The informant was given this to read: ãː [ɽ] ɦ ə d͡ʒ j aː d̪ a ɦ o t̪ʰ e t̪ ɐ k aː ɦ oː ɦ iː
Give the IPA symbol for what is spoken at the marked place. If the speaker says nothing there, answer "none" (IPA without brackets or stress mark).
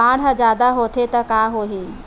ɽ